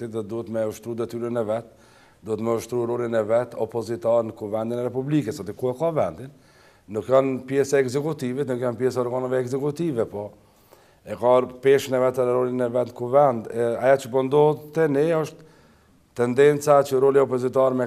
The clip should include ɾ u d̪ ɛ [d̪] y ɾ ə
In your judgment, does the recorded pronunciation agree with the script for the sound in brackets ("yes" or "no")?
no